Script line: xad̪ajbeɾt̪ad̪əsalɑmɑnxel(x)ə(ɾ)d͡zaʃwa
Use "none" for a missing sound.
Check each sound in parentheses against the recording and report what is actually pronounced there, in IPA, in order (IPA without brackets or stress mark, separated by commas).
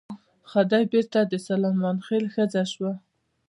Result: x, none